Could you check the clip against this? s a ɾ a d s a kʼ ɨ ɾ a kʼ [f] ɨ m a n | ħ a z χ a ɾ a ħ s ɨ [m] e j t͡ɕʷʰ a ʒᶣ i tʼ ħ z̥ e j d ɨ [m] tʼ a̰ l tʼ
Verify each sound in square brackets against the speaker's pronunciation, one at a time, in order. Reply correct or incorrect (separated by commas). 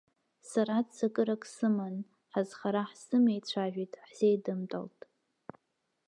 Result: incorrect, correct, correct